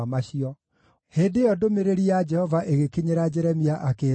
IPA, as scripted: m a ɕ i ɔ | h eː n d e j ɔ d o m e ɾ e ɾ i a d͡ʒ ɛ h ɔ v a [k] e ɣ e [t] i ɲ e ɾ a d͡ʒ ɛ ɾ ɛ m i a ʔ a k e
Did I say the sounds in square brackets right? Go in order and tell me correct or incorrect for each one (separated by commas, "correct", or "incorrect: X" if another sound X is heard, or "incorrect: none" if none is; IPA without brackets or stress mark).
incorrect: ʔ, incorrect: k